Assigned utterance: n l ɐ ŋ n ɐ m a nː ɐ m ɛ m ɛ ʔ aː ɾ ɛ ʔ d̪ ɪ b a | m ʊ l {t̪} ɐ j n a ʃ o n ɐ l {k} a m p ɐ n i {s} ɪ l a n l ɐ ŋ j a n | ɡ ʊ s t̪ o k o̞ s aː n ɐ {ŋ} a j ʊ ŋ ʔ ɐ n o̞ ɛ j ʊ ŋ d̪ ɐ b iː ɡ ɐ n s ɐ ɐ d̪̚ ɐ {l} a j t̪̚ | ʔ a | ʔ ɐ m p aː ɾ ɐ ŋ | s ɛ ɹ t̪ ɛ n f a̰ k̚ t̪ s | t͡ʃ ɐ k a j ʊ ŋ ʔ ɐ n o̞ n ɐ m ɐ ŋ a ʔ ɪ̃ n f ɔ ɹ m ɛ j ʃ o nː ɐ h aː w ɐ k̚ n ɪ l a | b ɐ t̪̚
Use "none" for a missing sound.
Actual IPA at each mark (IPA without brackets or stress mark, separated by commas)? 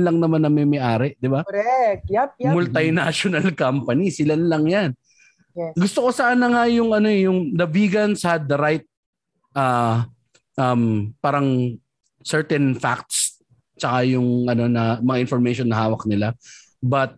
t̪, k, s, ŋ, ɾ